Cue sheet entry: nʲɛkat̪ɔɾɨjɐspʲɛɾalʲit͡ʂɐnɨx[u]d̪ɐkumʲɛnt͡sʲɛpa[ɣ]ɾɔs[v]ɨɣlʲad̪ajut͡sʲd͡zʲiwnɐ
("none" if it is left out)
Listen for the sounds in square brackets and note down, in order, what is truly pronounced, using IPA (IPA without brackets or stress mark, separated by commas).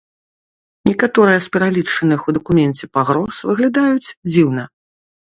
u, ɣ, v